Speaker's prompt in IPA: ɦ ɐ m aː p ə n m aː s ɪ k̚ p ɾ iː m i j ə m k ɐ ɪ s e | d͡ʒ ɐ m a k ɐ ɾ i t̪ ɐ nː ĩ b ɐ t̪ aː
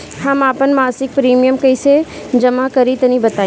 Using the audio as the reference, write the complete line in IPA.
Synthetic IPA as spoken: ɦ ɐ m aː p ə n m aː s ɪ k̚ p ɾ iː m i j ə m k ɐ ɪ s e | d͡ʒ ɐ m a k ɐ ɾ i t̪ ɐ n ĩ b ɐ t̪ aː